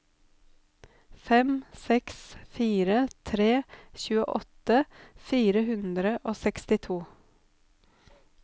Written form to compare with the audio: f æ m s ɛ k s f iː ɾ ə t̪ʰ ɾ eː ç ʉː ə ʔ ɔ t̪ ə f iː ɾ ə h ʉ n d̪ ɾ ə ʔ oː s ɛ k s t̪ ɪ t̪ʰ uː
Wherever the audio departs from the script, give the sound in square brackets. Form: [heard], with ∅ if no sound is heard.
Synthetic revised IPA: f [ɛ] m s ɛ k s f iː ɾ ə t̪ʰ ɾ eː ç ʉː ə ʔ ɔ t̪ ə f iː ɾ ə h ʉ n d̪ ɾ ə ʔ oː s ɛ k s t̪ ɪ t̪ʰ uː

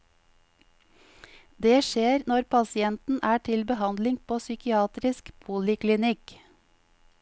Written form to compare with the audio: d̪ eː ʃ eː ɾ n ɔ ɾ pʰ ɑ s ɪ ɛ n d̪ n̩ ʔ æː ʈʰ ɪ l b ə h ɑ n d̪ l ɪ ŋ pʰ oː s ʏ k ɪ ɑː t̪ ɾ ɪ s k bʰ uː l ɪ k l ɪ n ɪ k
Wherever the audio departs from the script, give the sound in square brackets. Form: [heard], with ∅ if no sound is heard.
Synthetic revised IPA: d̪ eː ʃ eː ɾ n ɔ ɾ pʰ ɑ s ɪ ɛ n [t̪] n̩ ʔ æː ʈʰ ɪ l b ə h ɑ n d̪ l ɪ ŋ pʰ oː s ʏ k ɪ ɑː t̪ ɾ ɪ s k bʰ uː l ɪ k l ɪ n ɪ k

